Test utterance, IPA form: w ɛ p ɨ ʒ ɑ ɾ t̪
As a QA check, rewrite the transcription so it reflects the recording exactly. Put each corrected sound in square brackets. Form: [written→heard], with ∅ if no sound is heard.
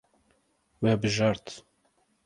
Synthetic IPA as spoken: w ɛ [p→b] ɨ ʒ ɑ ɾ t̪

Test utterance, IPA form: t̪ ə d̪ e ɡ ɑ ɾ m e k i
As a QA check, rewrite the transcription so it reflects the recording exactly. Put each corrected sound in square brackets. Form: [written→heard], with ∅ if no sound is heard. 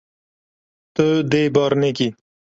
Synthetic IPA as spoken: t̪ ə d̪ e [ɡ→b] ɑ ɾ [m→n] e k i

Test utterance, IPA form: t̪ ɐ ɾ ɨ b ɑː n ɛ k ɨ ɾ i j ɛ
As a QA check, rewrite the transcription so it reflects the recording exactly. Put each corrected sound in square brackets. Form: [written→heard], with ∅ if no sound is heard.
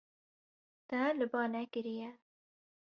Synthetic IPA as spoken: t̪ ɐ [ɾ→l] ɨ b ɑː n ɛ k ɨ ɾ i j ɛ

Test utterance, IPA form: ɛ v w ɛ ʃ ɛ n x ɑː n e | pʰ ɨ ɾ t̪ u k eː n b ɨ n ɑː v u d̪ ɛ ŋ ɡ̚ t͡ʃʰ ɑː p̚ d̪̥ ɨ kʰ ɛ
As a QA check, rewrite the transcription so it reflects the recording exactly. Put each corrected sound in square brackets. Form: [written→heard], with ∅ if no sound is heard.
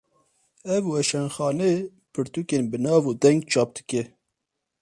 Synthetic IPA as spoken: ɛ v w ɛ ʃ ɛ n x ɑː n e | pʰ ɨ ɾ t̪ u k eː n b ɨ n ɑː v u d̪ ɛ ŋ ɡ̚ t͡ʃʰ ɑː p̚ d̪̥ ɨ [kʰ→k] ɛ

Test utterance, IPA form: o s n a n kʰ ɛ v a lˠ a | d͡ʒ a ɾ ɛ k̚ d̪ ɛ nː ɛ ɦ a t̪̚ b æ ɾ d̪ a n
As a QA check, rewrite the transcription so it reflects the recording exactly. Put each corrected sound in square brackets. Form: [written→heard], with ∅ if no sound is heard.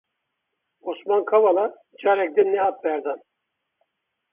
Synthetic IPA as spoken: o s [n→m] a n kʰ [ɛ→a] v a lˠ a | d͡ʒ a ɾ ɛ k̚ d̪ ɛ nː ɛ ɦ a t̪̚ b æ ɾ d̪ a n

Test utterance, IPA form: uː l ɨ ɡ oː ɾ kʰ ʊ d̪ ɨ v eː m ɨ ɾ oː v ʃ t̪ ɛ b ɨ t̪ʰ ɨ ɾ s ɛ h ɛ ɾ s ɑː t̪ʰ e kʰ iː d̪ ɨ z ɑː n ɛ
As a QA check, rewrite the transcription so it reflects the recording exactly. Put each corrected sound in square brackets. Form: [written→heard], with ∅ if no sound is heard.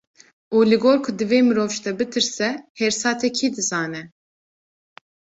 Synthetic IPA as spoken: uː l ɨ ɡ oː ɾ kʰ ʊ d̪ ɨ v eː m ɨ ɾ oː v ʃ t̪ ɛ b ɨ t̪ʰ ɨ ɾ s ɛ h ɛ ɾ s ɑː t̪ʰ [e→ɛ] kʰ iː d̪ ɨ z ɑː n ɛ

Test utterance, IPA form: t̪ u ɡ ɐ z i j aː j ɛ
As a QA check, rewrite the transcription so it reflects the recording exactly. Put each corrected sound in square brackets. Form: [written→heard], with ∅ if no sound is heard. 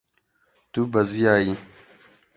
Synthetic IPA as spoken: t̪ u [ɡ→b] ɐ z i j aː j [ɛ→i]

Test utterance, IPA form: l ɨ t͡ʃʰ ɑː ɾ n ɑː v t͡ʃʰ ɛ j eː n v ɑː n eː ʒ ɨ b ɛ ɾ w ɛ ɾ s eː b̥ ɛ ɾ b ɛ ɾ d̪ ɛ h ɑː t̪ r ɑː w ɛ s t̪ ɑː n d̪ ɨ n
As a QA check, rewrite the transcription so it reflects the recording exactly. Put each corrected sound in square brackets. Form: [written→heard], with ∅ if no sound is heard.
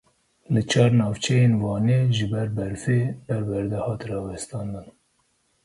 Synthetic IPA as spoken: l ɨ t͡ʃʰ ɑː ɾ n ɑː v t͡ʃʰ ɛ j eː n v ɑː n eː ʒ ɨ b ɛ ɾ [w→b] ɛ ɾ [s→f] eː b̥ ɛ ɾ b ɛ ɾ d̪ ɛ h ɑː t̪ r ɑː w ɛ s t̪ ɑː n d̪ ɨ n

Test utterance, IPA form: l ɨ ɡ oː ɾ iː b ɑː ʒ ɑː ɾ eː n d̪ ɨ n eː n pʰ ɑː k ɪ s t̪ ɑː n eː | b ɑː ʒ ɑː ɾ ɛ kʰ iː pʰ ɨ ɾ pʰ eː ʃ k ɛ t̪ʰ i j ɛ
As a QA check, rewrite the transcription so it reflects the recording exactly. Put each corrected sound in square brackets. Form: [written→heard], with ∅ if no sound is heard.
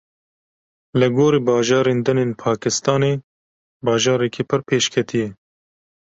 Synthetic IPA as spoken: l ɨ ɡ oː ɾ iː b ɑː ʒ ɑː ɾ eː n d̪ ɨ n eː n pʰ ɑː k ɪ s t̪ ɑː n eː | b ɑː ʒ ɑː ɾ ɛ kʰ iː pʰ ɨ ɾ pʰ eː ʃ [k→kʰ] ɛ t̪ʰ i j ɛ

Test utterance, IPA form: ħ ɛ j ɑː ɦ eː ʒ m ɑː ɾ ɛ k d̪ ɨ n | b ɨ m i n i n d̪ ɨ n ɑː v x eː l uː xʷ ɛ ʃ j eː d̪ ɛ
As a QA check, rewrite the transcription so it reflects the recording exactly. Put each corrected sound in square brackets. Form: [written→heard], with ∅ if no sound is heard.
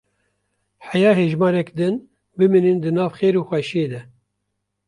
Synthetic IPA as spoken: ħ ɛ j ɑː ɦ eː ʒ m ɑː ɾ ɛ k d̪ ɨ n | b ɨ m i n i n d̪ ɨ n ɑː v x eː [l→ɾ] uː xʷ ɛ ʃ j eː d̪ ɛ

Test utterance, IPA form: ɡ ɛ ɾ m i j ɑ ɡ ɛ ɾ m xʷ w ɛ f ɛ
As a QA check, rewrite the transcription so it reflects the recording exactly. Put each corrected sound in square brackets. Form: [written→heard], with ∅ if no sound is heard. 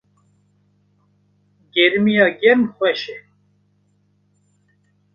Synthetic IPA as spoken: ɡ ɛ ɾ m i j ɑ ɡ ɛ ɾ m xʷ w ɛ [f→ʃ] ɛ

